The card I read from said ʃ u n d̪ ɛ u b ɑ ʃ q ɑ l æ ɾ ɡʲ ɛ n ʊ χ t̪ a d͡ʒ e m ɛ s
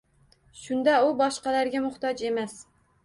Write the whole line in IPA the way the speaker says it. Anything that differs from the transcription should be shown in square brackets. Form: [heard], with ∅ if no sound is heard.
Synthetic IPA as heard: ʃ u n d̪ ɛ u b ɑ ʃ q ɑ l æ ɾ ɡʲ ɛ [m] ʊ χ t̪ [ɑ] d͡ʒ e m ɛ s